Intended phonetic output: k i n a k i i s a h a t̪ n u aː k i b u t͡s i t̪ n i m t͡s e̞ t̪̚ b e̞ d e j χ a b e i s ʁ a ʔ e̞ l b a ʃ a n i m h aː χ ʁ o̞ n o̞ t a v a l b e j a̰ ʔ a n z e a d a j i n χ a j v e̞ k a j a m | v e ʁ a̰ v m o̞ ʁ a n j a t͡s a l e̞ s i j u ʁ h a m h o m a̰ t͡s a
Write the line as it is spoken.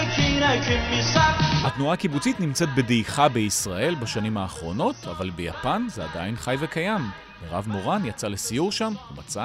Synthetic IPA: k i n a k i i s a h a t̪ n u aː k i b u t͡s i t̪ n i m t͡s e̞ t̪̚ b e̞ d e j χ a b e i s ʁ a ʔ e̞ l b a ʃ a n i m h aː χ ʁ o̞ n o̞ t a v a l b e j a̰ p a n z e a d a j i n χ a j v e̞ k a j a m | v e ʁ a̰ v m o̞ ʁ a n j a t͡s a l e̞ s i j u ʁ ʃ a m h u m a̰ t͡s a